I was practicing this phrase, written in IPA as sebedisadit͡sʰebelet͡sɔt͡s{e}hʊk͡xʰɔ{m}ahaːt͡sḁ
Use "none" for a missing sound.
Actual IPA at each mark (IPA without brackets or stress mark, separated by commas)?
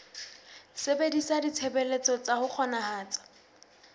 a, n